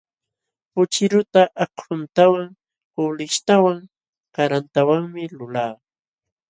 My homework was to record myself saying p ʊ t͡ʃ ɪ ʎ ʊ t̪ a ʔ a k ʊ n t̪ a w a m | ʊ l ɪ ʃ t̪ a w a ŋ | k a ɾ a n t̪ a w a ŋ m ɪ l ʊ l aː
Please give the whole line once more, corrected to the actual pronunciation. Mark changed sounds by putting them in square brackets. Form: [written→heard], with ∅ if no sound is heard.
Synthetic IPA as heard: p ʊ t͡ʃ ɪ [ʎ→ɾ] ʊ t̪ a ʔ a k ʊ n t̪ a w a [m→ŋ] | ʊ l ɪ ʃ t̪ a w a ŋ | k a ɾ a n t̪ a w a ŋ m ɪ l ʊ l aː